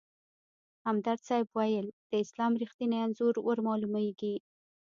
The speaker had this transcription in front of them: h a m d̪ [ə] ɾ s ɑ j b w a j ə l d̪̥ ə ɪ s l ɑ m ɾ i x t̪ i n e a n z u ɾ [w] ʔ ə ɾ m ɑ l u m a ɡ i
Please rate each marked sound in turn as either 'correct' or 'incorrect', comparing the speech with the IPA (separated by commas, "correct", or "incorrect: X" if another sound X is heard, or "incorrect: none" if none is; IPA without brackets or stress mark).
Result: incorrect: a, correct